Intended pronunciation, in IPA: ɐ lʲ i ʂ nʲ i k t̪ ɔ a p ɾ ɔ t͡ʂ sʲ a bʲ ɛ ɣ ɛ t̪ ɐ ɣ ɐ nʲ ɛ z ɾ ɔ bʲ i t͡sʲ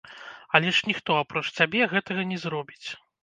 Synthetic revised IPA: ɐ lʲ ɛ ʂ nʲ i x t̪ ɔ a p ɾ ɔ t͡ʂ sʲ a bʲ ɛ ɣ ɛ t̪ ɐ ɣ ɐ nʲ ɛ z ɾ ɔ bʲ i t͡sʲ